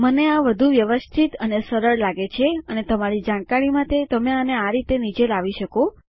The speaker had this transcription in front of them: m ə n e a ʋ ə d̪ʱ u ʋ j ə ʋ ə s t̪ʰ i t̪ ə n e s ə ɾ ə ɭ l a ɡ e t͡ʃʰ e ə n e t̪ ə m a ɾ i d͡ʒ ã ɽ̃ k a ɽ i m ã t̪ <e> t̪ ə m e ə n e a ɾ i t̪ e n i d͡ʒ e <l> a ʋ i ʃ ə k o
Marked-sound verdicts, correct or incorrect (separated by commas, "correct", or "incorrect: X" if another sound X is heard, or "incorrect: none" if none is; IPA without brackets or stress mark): correct, correct